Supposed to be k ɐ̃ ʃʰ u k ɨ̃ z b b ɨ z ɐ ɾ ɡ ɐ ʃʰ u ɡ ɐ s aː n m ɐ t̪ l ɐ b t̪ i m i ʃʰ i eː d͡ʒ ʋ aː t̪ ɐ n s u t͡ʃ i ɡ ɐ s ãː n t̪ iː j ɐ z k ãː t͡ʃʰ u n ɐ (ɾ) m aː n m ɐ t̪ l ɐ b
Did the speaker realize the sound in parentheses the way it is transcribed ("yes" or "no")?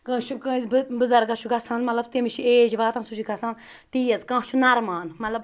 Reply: yes